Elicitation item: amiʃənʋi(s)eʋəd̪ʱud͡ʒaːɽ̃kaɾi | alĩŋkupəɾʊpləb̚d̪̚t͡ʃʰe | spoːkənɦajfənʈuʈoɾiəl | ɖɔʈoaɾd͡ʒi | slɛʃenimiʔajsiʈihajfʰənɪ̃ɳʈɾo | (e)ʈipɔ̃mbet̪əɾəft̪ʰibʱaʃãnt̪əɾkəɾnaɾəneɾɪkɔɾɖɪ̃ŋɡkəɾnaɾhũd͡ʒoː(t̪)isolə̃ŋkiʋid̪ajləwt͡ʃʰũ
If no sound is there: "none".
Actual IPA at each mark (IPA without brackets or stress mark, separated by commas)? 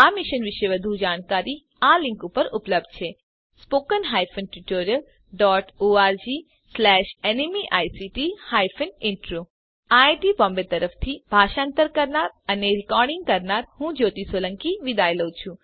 ʃ, a, t̪